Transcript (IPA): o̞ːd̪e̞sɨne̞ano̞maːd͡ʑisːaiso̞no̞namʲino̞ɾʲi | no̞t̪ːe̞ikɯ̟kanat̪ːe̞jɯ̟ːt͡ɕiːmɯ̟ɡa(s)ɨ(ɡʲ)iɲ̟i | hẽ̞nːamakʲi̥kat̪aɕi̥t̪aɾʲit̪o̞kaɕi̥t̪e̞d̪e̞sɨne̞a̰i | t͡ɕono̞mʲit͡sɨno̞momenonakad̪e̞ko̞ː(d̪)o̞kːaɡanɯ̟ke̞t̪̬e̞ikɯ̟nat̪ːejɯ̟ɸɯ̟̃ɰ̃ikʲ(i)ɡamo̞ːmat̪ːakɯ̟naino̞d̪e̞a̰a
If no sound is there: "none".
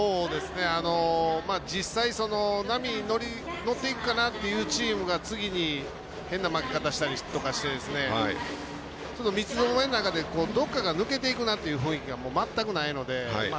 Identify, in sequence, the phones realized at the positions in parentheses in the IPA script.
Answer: t͡s, ɡʲ, d̪, i

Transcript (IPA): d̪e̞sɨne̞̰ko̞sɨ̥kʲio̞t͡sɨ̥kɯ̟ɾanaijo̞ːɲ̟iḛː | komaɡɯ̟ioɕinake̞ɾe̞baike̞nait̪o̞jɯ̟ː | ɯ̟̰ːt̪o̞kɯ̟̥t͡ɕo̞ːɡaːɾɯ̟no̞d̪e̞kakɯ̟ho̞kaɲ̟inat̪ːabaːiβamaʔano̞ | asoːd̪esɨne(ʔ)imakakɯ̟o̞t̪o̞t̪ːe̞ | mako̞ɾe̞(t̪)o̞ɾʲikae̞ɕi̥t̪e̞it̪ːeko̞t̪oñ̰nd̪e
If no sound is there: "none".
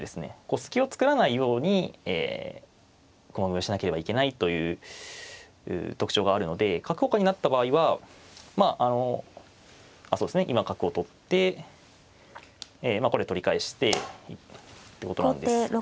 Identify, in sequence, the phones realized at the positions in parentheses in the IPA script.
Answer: ʔ, t̪

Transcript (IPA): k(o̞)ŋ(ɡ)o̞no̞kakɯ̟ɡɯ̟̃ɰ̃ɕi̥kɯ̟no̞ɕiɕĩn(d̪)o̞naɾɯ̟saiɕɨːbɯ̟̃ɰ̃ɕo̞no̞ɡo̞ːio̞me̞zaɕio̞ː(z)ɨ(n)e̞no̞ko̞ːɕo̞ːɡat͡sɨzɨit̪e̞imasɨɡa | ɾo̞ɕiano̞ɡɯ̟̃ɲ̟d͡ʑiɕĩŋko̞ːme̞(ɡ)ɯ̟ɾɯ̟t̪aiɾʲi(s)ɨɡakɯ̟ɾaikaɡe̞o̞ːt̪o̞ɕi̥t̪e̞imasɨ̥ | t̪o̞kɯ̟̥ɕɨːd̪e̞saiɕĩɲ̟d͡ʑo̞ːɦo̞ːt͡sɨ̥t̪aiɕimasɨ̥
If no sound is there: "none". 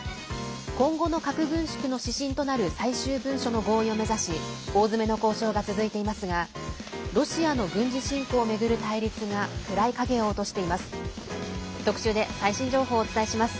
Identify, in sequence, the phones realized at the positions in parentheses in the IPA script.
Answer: õ̞, ɡ, t̪, z, m, ɡ, t͡s

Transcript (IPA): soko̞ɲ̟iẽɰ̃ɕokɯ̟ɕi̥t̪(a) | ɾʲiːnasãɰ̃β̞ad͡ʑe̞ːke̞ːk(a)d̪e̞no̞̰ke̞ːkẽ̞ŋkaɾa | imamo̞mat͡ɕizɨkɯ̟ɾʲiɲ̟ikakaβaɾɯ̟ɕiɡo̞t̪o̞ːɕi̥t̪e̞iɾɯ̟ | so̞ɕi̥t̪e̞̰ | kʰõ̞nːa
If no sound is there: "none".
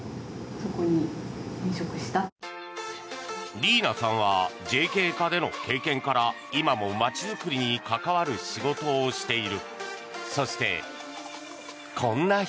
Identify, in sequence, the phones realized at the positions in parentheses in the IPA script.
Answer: a, a

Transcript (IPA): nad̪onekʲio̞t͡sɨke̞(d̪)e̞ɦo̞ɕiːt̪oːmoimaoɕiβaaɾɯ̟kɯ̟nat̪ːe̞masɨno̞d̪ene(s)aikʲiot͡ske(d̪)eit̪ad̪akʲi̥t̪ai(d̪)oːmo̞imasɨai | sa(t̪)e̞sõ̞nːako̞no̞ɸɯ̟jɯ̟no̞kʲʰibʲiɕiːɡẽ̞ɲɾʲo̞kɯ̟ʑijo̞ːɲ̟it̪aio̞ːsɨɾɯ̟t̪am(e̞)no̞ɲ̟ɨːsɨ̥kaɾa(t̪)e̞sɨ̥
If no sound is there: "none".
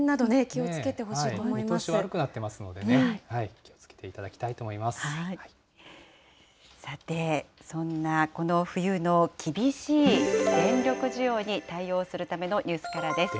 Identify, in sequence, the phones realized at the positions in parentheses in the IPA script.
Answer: t̪, h, t̪, t̪, t̪, e̞, d̪

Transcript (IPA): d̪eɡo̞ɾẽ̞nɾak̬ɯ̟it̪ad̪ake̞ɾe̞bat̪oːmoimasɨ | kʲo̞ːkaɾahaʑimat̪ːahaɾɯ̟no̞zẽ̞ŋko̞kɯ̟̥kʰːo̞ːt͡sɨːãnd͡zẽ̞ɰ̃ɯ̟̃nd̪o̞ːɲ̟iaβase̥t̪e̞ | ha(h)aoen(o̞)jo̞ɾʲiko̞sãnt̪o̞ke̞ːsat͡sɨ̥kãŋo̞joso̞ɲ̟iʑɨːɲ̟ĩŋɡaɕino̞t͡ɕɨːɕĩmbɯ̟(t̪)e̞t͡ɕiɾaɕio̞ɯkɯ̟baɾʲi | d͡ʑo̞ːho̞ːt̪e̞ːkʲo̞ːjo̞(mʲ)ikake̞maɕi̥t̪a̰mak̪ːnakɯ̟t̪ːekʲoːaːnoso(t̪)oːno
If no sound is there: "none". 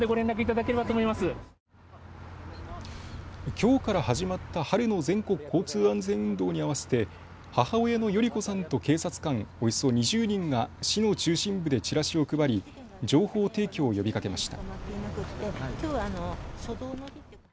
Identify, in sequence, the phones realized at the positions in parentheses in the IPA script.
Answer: h, o̞, d̪, bʲ, d̪

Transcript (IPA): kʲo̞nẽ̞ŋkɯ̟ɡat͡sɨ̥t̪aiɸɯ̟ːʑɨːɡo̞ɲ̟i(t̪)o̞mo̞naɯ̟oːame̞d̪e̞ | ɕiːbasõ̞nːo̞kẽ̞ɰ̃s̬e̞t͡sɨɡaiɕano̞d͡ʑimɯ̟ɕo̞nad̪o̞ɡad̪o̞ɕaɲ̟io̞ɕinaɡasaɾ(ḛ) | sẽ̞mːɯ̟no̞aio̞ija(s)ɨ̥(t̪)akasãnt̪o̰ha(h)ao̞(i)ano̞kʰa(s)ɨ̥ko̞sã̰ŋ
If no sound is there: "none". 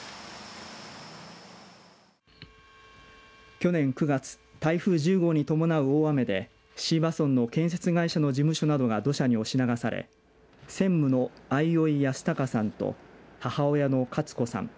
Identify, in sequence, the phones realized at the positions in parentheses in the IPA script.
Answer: t̪, ḛ, s, t̪, h, j, t͡s

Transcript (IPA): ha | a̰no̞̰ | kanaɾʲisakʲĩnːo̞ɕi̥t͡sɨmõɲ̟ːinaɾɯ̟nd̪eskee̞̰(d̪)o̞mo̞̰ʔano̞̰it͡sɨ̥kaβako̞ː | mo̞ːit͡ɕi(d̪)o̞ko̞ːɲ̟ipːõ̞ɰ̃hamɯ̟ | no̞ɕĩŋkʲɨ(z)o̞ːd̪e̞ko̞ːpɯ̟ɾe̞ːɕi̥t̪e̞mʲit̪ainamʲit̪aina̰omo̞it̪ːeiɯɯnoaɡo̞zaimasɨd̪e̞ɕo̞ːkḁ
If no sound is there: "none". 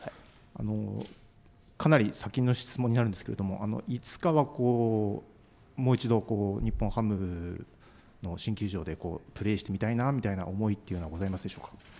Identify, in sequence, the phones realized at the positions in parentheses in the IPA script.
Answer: d̪, d̪, ʑ

